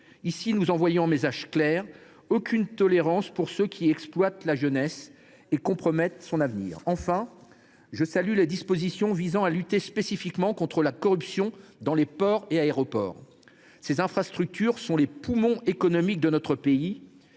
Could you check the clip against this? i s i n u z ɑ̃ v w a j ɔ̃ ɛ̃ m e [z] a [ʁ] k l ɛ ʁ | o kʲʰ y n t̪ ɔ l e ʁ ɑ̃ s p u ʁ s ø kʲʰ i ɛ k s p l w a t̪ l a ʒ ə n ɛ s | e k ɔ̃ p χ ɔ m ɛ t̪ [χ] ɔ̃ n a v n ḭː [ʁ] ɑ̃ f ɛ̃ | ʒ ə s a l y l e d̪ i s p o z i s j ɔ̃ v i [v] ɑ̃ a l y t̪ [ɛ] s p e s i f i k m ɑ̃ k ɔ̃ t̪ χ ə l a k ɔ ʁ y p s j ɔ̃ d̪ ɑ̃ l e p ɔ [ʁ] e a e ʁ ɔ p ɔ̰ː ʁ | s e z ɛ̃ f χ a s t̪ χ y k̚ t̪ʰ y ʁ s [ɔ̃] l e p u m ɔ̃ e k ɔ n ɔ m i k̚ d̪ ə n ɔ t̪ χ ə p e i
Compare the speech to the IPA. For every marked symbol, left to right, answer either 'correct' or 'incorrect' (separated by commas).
correct, incorrect, incorrect, correct, incorrect, incorrect, correct, correct